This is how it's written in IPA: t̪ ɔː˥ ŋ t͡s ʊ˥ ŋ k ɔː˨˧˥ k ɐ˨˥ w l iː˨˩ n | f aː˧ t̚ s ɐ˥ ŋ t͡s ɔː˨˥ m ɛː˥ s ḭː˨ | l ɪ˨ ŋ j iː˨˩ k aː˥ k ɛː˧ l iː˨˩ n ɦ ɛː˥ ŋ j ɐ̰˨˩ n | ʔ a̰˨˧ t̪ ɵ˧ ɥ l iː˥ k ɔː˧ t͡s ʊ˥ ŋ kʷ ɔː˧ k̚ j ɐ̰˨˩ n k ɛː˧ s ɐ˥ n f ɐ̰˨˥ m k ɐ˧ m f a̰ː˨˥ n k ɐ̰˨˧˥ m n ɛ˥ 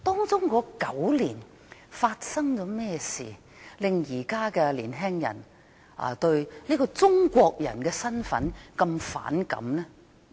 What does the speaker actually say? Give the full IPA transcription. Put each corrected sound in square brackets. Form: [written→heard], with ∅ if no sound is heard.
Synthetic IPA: t̪ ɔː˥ ŋ t͡s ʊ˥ ŋ k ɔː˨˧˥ k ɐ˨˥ w l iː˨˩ n | f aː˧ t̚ s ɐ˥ ŋ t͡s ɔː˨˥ m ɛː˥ s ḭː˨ | l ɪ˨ ŋ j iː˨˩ k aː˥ k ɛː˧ l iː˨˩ n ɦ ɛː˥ ŋ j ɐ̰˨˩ n | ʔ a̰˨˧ t̪ ɵ˧ ɥ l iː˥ k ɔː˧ t͡s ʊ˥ ŋ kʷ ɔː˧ k̚ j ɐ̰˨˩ n k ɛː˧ s ɐ˥ n f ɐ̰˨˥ [m→n] k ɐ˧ m f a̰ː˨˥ n k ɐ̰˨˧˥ m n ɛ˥